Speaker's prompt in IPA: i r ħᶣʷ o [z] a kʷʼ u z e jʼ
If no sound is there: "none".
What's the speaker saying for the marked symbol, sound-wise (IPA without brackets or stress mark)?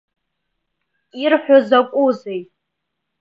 z